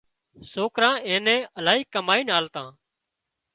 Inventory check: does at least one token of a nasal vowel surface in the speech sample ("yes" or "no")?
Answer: yes